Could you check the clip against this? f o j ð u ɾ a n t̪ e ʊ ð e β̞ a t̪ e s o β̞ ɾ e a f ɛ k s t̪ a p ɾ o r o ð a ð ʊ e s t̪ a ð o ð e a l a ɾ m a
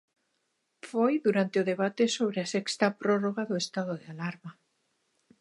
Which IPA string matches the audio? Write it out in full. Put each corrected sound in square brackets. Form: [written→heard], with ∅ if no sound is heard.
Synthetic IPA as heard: f o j ð u ɾ a n t̪ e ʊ ð e β̞ a t̪ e s o β̞ ɾ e a [f→s] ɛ k s t̪ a p ɾ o r o [ð→ɣ] a ð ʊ e s t̪ a ð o ð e a l a ɾ m a